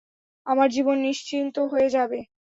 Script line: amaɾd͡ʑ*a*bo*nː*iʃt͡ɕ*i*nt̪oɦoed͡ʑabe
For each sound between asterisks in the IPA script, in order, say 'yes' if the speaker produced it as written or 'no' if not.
no, yes, yes

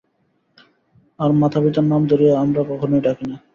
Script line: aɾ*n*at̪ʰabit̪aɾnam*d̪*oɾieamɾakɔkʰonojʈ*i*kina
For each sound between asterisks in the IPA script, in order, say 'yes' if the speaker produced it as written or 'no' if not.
no, yes, no

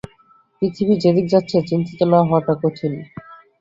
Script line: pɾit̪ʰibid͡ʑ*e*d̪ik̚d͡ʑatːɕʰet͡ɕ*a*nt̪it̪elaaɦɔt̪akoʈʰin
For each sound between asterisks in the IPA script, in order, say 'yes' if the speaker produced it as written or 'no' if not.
yes, no

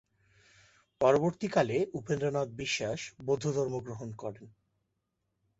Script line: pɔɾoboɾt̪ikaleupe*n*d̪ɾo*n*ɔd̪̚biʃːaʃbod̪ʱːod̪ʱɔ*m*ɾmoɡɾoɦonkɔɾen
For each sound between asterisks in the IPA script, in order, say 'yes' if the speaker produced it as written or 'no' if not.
yes, yes, no

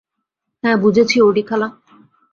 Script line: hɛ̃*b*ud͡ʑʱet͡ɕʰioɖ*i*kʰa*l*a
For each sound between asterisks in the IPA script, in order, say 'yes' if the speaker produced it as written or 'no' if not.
yes, yes, yes

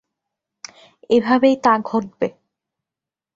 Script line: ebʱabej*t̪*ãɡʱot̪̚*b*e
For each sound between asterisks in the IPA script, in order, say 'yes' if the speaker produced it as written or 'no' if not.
yes, yes

